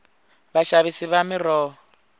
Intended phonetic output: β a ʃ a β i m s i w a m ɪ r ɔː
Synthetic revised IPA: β a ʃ a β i s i β a m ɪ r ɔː

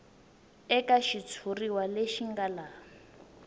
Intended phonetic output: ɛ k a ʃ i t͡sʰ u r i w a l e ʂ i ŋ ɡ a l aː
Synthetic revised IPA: ɛ k a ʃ i t͡sʰ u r i w a l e ʃ i ŋ ɡ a l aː

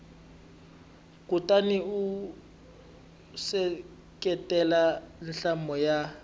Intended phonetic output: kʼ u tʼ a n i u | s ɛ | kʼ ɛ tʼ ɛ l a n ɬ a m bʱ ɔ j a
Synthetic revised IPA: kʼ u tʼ a n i u | s ɛ | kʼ ɛ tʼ ɛ l a n ɬ a m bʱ ɔ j a

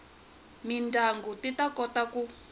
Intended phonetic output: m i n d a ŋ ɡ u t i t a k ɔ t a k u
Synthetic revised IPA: m i n d a ŋ ɡ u t i t a k ɔ t a k u

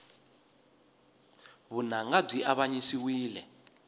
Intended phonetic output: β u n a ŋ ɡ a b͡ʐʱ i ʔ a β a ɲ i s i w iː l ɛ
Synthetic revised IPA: β u n a ŋ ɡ a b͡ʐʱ i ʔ a β a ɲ i s i w iː l ɛ

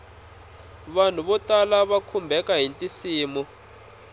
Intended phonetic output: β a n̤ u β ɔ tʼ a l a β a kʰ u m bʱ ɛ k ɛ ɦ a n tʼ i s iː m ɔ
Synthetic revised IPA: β a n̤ u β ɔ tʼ a l a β a kʰ u m bʱ ɛ k a ɦ i n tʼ i s iː m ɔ

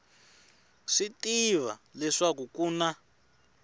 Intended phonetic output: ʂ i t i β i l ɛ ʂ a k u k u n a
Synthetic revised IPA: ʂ i t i β a l ɛ ʂ a k u k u n a

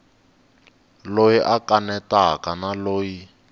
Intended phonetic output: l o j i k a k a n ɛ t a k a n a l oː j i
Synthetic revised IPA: l o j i ʔ a k a n ɛ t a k a n a l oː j i

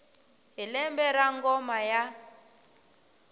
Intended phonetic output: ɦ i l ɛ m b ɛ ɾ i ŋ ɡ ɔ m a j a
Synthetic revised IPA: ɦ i l ɛ m b ɛ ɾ a ŋ ɡ ɔ m a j a

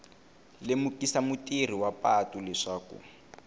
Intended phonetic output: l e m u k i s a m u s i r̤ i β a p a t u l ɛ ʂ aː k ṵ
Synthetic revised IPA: l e m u k i s a m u t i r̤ i w a p a t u l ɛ ʂ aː k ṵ

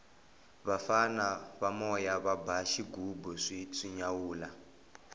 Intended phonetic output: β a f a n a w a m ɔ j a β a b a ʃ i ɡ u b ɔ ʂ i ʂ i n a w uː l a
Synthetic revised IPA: β a f a n a β a m ɔ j a β a b a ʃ i ɡ u b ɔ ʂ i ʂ i ɲ a w uː l a

